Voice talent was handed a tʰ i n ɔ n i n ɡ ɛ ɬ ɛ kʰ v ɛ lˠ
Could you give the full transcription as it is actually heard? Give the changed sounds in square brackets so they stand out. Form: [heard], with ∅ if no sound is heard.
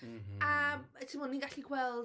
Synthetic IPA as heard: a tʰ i [m] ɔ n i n ɡ [a] ɬ [i] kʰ [w] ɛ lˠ